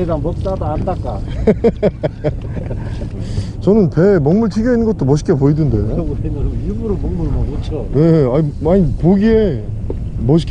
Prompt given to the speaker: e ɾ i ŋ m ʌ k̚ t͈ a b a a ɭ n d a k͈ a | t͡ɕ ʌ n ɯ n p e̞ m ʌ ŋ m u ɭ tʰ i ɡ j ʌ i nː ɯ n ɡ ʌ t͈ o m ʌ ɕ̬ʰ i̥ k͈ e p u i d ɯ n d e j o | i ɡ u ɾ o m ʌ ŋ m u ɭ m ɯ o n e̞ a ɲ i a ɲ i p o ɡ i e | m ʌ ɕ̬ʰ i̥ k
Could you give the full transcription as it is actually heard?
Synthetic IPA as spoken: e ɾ a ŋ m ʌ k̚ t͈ a d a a n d a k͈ a | t͡ɕ ʌ n ɯ n p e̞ m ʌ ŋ m u ɭ tʰ i ɡ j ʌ i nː ɯ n ɡ ʌ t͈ o m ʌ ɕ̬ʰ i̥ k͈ e p o i d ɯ n d e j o | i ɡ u ɾ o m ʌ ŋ m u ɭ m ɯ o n e̞ a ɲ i a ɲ i p o ɡ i e | m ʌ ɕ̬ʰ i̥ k